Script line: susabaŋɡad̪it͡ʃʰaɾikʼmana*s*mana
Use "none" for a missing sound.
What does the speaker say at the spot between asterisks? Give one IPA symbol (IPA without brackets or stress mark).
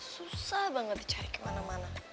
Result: none